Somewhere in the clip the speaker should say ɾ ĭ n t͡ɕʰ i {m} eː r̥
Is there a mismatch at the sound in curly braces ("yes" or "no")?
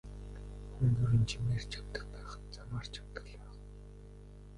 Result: no